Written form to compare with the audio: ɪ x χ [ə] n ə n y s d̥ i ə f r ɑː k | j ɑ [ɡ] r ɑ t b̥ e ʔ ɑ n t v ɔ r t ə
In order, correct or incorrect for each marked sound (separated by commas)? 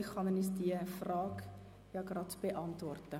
incorrect, correct